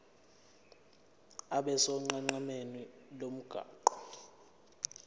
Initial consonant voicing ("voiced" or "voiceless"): voiced